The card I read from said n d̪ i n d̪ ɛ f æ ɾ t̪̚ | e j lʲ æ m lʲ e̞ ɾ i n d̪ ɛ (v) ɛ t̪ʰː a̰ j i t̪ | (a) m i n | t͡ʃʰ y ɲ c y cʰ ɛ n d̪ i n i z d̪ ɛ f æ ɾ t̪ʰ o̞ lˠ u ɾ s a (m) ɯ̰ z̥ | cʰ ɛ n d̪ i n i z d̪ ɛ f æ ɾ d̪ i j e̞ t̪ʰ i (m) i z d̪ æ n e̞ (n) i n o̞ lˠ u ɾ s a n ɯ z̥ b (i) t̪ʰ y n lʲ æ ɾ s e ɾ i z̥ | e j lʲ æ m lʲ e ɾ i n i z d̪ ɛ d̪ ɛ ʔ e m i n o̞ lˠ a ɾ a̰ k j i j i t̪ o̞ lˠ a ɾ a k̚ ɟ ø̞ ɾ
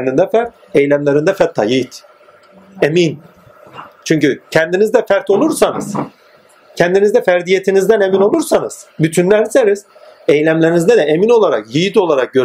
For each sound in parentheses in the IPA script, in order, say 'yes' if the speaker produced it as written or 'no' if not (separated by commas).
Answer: no, no, no, no, no, no